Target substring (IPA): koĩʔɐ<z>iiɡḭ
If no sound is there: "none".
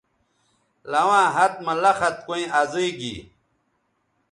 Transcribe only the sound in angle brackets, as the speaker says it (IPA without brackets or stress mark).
z